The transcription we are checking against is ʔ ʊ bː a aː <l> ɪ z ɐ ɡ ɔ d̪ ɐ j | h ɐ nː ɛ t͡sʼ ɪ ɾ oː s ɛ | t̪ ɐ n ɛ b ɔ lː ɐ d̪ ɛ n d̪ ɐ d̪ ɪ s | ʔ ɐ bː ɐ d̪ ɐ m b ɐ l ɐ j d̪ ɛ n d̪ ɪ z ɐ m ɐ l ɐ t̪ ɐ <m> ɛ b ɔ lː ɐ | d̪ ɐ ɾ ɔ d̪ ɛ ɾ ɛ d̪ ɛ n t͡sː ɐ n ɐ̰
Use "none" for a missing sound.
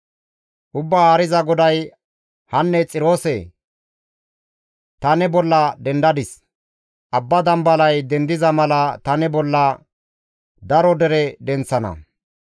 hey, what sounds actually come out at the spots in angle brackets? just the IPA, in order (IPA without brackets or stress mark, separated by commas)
ɾ, n